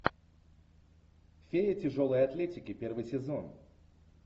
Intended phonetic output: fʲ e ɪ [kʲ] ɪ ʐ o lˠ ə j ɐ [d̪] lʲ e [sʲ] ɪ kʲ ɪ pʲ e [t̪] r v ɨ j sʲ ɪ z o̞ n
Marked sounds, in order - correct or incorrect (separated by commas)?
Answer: incorrect, incorrect, incorrect, incorrect